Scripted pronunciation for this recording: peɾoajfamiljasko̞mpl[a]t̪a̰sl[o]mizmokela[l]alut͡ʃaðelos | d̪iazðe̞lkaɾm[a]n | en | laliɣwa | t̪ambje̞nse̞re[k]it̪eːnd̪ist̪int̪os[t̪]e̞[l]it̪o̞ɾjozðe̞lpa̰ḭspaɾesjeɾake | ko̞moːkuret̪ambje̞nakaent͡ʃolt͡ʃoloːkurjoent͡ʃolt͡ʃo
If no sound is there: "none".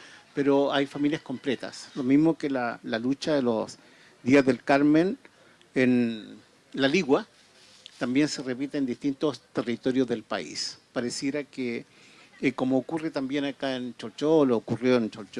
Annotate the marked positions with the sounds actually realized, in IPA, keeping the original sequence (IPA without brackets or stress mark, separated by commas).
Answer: e, o, l, e, p, t̪, r